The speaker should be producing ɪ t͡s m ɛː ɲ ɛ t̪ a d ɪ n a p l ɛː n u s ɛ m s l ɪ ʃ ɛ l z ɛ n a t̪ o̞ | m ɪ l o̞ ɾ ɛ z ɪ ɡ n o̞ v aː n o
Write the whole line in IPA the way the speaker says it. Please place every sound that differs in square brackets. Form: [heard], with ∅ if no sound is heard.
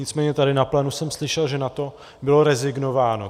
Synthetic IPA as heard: ɪ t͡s m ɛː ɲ ɛ t̪ a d ɪ n a p l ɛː n u s ɛ m s l ɪ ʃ ɛ l [ʒ] ɛ n a t̪ o̞ | [b] ɪ l o̞ ɾ ɛ z ɪ ɡ n o̞ v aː n o